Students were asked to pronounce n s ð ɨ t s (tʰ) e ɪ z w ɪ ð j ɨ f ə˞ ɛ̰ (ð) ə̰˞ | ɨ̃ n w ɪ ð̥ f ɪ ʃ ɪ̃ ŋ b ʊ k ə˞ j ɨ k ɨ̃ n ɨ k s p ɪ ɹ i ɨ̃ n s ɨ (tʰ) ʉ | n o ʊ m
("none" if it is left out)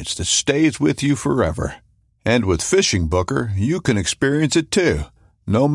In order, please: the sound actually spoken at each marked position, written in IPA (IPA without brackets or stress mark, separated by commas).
t, v, tʰ